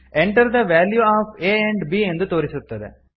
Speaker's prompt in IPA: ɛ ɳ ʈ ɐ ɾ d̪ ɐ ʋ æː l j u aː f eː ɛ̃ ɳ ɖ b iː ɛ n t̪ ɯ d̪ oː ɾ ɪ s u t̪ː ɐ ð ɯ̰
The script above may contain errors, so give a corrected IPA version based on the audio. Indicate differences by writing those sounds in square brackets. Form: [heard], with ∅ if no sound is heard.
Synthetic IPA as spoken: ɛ ɳ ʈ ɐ ɾ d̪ ɐ ʋ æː l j u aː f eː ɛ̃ ɳ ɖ b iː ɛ n [d̪] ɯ [t̪] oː ɾ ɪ s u t̪ː ɐ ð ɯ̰